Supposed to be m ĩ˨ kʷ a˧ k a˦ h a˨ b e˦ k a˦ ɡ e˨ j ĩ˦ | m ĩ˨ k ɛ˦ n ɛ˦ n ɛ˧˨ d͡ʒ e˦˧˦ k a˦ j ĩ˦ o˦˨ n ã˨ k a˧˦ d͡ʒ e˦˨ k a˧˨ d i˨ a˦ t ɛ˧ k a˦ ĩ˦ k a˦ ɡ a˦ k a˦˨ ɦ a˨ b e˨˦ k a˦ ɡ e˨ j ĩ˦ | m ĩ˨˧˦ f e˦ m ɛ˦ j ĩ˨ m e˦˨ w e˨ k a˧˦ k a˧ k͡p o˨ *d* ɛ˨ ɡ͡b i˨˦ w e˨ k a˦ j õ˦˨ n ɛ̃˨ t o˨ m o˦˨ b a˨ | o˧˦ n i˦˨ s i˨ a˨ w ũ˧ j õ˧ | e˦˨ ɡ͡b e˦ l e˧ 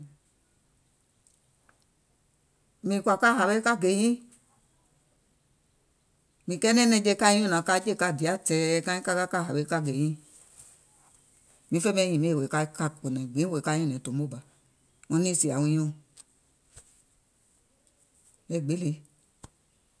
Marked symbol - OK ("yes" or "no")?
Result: no